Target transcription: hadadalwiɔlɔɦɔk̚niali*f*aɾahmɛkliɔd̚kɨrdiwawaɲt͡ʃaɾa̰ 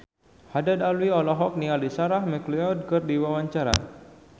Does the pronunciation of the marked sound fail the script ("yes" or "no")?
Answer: yes